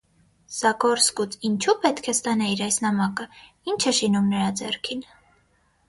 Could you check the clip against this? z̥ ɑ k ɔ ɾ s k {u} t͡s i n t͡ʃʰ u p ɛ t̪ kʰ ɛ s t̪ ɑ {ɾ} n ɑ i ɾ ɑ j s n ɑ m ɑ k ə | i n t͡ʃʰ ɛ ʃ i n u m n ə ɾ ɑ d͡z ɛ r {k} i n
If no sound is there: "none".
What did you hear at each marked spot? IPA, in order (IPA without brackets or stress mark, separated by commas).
u, none, kʰ